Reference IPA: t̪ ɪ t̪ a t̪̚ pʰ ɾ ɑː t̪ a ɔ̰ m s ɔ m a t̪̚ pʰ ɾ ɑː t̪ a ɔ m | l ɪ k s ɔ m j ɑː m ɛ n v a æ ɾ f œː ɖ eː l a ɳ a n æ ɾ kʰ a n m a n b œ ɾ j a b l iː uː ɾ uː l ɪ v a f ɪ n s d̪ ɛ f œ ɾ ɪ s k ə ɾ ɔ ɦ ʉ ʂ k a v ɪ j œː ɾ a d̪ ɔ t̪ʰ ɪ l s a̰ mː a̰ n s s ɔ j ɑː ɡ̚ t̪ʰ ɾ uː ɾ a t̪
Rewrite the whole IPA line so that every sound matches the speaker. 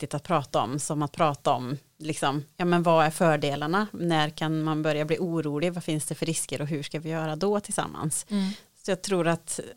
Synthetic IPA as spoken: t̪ ɪ t̪ a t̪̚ pʰ ɾ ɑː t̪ a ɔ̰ m s ɔ m a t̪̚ pʰ ɾ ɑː t̪ a ɔ m | l ɪ k s ɔ m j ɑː m ɛ n v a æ ɾ f œː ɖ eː l a ɳ a n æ ɾ kʰ a n m a n b œ ɾ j a b l iː uː ɾ uː l ɪ v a f ɪ n s d̪ ɛ f œ ɾ ɪ s k ə ɾ ɔ ɦ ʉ ʂ k a v ɪ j œː ɾ a d̪ ɔ t̪ʰ ɪ l s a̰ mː a̰ n s s ɔ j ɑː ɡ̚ t̪ʰ ɾ uː ɾ a t̪